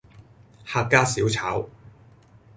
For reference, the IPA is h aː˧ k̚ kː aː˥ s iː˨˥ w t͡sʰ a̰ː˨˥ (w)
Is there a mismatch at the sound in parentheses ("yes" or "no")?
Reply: no